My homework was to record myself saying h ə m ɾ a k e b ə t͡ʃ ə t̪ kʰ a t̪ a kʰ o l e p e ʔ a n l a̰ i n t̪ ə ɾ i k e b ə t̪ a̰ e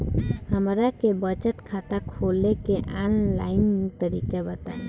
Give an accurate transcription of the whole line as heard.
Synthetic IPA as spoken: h ə m ɾ a k e b ə t͡ʃ ə t̪ kʰ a t̪ a kʰ o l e k e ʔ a n l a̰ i n t̪ ə ɾ i k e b ə t̪ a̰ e